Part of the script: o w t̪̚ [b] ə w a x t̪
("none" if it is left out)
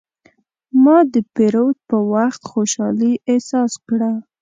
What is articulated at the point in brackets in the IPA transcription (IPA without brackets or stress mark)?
p